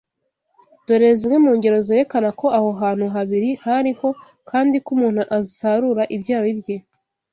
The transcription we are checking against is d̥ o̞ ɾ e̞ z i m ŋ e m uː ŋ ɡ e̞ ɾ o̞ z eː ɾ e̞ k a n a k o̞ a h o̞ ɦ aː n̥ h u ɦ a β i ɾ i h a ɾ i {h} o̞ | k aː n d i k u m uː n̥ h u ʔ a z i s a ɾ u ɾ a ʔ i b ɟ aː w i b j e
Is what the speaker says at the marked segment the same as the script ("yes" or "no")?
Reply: yes